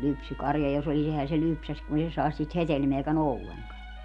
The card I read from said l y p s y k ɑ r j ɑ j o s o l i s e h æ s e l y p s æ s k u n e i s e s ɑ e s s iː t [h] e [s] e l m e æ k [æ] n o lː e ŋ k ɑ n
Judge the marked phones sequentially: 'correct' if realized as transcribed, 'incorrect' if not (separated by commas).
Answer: correct, incorrect, correct